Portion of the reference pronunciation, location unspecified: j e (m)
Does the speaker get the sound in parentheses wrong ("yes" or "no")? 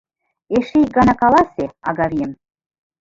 no